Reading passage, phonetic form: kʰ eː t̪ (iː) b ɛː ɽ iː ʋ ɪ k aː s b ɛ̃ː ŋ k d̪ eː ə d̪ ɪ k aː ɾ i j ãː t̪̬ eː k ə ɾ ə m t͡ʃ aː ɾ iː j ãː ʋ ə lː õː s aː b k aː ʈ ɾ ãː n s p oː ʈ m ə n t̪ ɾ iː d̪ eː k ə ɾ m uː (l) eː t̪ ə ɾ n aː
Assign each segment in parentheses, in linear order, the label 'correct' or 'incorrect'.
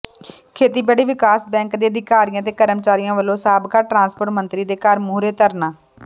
correct, incorrect

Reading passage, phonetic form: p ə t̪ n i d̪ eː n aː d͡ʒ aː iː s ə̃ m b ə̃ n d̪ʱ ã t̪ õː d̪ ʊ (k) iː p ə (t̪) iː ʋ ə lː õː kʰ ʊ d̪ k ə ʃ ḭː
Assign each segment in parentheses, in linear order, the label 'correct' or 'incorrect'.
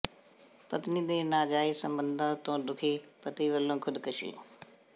incorrect, correct

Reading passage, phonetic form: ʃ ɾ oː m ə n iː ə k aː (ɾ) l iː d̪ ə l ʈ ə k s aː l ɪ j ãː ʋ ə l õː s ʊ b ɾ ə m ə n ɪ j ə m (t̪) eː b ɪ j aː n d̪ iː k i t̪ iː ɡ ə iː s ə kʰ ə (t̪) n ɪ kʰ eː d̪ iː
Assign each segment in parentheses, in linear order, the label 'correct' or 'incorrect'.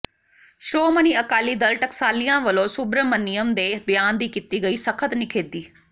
incorrect, incorrect, correct

